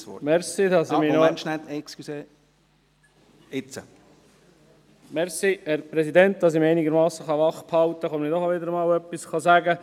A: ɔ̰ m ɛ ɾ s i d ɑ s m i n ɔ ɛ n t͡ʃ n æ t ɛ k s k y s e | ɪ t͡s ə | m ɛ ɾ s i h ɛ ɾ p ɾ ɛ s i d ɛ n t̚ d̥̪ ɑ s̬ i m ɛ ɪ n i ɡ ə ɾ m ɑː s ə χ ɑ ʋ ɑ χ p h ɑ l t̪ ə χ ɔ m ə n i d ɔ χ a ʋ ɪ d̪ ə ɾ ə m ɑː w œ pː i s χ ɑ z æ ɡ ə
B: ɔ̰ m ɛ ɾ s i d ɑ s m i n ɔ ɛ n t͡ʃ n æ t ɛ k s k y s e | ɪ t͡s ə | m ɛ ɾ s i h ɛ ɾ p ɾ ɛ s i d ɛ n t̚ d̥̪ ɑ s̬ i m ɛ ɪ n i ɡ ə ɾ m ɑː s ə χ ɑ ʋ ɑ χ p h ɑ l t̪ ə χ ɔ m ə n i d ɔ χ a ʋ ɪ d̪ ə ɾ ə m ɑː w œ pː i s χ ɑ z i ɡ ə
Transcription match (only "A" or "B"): A